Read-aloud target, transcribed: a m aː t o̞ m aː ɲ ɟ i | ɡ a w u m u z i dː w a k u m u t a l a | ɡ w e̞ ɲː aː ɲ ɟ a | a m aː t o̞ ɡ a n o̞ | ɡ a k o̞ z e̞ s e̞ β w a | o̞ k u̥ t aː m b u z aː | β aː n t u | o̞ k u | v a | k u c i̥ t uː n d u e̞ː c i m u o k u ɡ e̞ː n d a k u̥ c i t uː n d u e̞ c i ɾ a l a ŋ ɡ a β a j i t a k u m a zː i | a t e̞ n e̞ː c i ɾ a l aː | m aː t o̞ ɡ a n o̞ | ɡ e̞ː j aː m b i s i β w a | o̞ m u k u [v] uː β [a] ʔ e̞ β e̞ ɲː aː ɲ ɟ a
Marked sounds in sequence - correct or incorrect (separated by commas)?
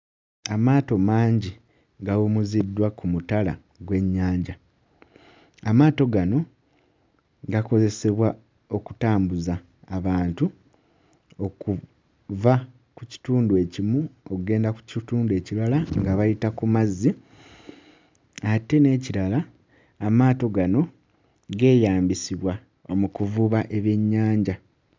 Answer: correct, correct